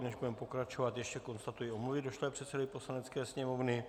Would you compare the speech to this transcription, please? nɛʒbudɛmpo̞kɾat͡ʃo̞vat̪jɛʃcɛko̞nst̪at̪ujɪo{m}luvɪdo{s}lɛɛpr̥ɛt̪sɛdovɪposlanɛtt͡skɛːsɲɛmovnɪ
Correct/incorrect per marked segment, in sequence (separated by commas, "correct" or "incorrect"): correct, incorrect